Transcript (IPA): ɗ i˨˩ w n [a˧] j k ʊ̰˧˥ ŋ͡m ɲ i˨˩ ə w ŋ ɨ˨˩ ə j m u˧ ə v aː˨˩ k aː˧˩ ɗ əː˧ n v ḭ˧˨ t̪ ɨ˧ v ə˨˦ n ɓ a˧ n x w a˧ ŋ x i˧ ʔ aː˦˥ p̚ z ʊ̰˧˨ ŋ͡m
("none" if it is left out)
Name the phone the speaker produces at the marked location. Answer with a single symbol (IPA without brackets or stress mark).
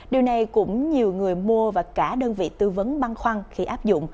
a˨˩